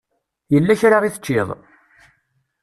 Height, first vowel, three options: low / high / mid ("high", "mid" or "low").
mid